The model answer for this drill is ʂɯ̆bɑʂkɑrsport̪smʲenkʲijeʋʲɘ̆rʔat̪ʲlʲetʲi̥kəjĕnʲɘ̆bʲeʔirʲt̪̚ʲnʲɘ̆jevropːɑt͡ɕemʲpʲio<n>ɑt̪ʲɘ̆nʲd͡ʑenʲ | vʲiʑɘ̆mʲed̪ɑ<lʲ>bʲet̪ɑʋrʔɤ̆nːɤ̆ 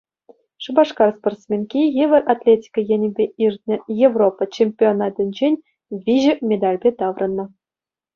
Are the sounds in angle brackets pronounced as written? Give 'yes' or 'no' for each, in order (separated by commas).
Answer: yes, yes